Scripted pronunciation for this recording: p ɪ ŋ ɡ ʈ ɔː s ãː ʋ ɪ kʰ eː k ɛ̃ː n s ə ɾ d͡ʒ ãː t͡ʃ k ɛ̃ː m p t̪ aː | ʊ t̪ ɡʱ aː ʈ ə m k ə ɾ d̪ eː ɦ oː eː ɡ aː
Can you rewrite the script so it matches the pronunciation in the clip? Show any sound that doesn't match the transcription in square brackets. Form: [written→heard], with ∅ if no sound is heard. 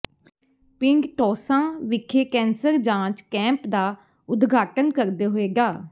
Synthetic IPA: p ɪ ŋ ɡ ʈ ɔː s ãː ʋ ɪ kʰ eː k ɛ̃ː n s ə ɾ d͡ʒ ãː t͡ʃ k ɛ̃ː m p [t̪→d̪] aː | ʊ [t̪→d̪] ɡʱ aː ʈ ə [m→n] k ə ɾ d̪ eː ɦ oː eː ɡ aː